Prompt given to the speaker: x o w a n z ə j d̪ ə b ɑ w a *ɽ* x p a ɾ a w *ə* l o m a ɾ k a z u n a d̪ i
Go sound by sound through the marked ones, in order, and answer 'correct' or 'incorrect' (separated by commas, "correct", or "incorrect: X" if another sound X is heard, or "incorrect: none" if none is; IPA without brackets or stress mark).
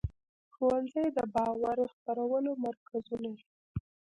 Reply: incorrect: ɾ, correct